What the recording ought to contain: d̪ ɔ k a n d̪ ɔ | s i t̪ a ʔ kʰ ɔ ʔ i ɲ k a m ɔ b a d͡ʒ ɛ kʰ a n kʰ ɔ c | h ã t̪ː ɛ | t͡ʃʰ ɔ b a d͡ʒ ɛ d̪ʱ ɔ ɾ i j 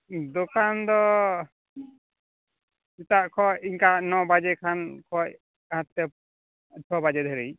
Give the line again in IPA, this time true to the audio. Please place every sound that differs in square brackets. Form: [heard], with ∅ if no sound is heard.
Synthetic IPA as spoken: d̪ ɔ k a n d̪ ɔ | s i t̪ a ʔ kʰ ɔ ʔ i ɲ k a [n] ɔ b a d͡ʒ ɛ kʰ a n kʰ ɔ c | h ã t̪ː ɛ | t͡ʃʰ ɔ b a d͡ʒ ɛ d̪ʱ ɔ ɾ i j